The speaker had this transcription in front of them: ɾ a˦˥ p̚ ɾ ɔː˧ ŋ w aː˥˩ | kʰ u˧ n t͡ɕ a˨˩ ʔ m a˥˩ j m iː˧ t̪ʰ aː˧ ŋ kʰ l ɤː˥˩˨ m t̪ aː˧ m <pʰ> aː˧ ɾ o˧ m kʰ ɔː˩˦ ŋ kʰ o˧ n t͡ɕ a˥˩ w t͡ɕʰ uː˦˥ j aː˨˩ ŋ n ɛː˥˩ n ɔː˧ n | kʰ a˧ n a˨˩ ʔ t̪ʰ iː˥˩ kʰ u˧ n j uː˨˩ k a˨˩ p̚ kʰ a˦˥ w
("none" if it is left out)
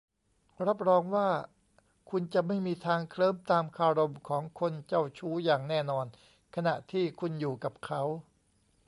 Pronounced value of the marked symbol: kʰ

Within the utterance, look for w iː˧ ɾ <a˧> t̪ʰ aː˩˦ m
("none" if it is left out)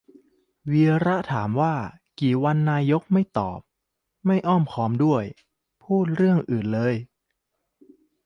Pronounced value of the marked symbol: a˦˥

